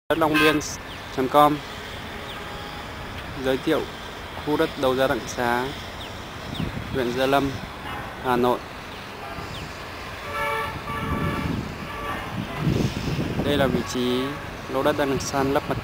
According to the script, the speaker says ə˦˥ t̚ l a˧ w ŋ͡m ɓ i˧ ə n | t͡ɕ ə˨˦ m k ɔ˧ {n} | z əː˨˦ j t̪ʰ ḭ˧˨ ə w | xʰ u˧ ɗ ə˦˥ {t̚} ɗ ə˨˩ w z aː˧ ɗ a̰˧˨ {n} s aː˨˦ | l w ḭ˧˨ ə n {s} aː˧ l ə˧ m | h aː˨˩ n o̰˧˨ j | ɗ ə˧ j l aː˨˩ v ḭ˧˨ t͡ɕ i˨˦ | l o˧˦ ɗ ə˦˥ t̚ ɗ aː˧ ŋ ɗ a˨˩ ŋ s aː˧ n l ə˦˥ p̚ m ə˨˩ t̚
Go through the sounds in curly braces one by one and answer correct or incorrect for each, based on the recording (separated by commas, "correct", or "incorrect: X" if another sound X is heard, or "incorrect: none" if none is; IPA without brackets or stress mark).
incorrect: m, correct, incorrect: ŋ, incorrect: z